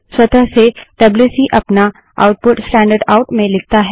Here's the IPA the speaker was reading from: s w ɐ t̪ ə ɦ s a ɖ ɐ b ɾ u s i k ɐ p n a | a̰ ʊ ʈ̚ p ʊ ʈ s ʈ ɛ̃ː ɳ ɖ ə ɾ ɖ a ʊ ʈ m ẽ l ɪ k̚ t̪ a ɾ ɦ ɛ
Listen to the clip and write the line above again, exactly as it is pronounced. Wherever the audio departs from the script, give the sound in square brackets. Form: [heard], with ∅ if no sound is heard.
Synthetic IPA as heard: s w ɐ t̪ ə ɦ s [e] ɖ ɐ b [l] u s i [ʔ] ɐ p n a | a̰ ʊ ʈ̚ p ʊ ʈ s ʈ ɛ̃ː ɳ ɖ ə ɾ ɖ a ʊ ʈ m ẽ l ɪ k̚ t̪ a [∅] ɦ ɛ